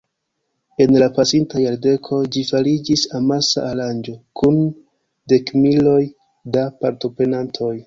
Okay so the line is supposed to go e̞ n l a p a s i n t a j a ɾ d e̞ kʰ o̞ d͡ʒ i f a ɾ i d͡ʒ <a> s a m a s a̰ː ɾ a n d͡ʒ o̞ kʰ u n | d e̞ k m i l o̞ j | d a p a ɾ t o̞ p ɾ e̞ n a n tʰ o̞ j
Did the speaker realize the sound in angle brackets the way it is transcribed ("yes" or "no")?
no